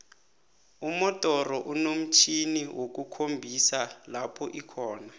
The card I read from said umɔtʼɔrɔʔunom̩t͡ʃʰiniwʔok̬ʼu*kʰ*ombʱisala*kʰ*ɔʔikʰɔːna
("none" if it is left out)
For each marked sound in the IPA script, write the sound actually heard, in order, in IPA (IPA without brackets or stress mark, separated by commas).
kʰ, pʰ